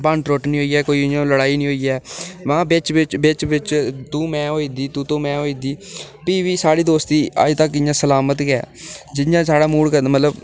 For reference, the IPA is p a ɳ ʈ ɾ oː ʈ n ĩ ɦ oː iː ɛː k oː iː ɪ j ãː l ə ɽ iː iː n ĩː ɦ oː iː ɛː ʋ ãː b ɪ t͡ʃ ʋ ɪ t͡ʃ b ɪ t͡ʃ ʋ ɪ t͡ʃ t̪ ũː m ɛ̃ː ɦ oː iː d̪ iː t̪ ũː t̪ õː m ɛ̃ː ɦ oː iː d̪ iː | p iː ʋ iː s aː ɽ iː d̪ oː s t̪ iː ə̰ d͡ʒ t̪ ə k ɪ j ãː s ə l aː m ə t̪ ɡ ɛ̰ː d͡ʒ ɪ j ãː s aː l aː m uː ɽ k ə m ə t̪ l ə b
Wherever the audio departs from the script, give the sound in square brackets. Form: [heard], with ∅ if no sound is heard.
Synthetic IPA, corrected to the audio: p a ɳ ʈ ɾ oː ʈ n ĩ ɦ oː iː ɛː k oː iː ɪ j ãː l ə ɽ [aː] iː n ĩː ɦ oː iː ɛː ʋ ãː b ɪ t͡ʃ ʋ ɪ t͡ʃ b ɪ t͡ʃ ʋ ɪ t͡ʃ t̪ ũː m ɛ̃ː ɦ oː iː d̪ iː t̪ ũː t̪ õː m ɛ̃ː ɦ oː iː d̪ iː | p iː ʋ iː s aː ɽ iː d̪ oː s t̪ iː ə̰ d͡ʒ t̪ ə k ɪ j ãː s ə l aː m ə t̪ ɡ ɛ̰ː d͡ʒ ɪ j ãː s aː [ɽ] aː m uː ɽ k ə m ə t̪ l ə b